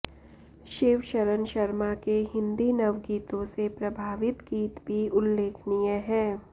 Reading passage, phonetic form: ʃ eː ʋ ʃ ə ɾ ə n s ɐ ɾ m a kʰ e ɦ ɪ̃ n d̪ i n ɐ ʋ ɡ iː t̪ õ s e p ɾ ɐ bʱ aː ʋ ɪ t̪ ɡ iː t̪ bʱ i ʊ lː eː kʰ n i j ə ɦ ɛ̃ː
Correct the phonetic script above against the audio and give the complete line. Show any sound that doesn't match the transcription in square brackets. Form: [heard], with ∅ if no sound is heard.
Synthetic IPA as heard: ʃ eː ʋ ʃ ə ɾ ə n [ʃ] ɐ ɾ m a [k] e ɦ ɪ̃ n d̪ i n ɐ ʋ ɡ iː t̪ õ s e p ɾ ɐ bʱ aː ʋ ɪ t̪ ɡ iː t̪ bʱ i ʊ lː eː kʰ n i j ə ɦ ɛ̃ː